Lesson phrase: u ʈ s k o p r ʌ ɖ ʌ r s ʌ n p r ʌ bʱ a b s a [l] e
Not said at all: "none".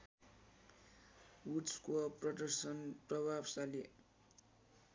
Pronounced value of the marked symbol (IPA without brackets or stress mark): l